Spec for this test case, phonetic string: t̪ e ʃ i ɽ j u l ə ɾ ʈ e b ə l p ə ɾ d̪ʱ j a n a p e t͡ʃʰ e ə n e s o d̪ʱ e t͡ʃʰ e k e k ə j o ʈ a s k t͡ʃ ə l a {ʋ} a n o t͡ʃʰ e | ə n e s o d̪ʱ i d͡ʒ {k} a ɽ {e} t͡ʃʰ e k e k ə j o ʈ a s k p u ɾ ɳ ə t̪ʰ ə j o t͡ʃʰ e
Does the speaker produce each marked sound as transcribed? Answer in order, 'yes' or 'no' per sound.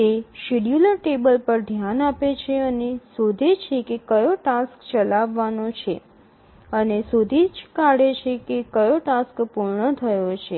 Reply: no, yes, yes

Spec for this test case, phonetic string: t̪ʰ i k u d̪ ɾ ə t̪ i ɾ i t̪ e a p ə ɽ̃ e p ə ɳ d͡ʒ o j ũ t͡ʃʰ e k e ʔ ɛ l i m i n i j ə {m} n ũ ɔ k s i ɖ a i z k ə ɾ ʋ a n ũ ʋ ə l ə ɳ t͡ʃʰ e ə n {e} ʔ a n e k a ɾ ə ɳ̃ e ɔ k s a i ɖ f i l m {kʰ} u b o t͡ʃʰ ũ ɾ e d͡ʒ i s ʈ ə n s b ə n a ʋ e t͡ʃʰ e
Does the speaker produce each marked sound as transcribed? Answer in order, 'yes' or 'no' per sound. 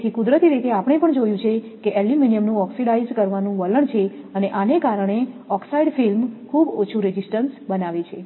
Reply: yes, yes, yes

